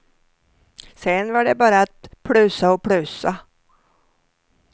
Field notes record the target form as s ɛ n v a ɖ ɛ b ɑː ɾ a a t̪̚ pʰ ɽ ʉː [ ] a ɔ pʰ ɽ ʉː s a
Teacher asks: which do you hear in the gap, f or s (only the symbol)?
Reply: s